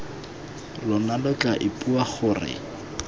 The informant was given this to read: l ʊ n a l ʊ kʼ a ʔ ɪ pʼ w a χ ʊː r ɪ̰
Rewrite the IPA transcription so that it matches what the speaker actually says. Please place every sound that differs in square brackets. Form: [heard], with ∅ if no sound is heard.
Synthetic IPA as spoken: l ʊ n a l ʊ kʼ a ʔ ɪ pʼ [u] a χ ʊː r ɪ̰